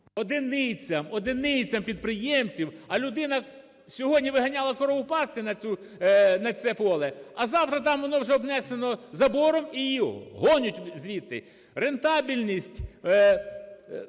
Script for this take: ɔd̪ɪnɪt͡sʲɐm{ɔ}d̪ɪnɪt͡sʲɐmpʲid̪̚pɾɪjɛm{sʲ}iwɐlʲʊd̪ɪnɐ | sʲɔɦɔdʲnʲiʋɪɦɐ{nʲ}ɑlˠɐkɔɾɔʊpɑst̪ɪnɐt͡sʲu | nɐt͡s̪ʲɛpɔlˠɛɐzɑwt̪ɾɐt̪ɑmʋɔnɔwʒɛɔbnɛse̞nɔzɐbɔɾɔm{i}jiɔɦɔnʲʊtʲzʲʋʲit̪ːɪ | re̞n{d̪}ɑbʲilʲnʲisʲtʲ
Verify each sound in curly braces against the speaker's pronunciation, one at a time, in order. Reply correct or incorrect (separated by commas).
correct, incorrect, correct, correct, incorrect